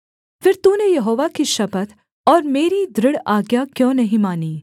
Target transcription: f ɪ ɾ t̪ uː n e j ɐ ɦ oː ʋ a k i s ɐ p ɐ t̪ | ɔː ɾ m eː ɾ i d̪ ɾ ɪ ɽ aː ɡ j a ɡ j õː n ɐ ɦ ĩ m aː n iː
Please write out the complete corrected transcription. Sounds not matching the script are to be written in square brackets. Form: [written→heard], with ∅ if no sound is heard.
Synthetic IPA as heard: f ɪ ɾ t̪ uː n e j ɐ ɦ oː ʋ a k i [s→ʃ] ɐ p [ɐ→ə] t̪ | ɔː ɾ m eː ɾ i d̪ ɾ ɪ ɽ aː ɡ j a [ɡ→k] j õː n ɐ ɦ ĩ m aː n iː